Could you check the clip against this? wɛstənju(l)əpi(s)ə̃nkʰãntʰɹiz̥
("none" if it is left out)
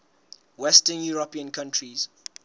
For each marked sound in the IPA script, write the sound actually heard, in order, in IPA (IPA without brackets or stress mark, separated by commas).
ɹ, none